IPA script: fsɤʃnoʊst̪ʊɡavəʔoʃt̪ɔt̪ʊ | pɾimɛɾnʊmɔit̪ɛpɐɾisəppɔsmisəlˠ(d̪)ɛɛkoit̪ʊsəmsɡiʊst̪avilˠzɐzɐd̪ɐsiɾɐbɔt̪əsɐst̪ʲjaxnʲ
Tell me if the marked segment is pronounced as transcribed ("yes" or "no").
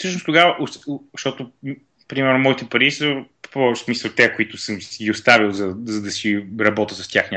no